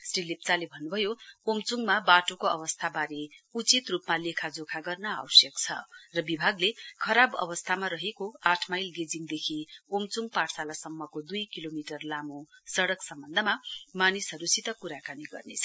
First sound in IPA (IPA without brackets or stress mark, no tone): s